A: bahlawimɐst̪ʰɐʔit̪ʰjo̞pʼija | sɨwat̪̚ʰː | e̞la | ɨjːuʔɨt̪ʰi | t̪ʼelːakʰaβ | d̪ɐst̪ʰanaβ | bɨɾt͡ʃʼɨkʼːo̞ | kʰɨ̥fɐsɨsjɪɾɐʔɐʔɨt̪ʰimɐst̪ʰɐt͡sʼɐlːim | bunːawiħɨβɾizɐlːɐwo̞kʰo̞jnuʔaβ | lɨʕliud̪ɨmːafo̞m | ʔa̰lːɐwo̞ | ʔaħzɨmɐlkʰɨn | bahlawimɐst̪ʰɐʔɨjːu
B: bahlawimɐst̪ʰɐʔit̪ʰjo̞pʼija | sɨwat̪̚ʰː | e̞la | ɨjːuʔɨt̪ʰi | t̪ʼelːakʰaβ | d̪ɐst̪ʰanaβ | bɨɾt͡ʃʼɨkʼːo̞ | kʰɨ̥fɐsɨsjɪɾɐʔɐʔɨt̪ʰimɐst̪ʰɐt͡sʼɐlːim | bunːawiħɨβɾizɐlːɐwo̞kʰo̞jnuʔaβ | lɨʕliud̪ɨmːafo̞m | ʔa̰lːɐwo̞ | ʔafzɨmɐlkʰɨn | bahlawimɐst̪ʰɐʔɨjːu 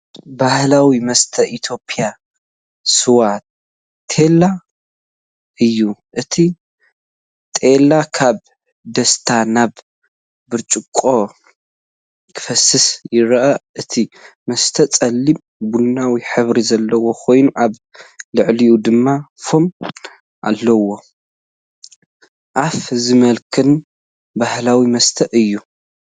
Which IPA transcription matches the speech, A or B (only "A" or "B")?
B